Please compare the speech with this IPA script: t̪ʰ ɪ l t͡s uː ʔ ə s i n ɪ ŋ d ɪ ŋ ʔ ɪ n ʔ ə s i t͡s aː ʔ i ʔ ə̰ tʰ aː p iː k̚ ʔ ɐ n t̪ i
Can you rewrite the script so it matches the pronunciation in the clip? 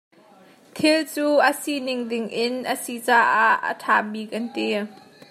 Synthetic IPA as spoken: t̪ʰ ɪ l t͡s uː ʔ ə s i n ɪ ŋ d ɪ ŋ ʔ ɪ n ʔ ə s i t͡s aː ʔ a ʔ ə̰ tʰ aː b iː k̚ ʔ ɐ n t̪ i